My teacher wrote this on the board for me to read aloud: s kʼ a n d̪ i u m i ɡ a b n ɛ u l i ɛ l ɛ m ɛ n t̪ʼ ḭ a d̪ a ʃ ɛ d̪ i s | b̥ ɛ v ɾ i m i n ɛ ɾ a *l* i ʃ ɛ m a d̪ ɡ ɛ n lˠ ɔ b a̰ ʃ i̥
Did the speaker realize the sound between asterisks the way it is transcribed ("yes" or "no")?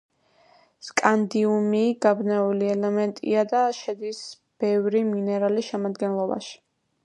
yes